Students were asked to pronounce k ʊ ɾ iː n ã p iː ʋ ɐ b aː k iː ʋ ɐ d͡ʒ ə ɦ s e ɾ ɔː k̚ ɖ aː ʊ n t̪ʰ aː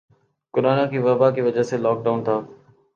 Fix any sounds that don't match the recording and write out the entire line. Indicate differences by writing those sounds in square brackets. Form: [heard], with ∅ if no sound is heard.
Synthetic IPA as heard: k ʊ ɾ [aː] n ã [k] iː ʋ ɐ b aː k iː ʋ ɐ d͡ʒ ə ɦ s e [l] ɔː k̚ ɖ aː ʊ n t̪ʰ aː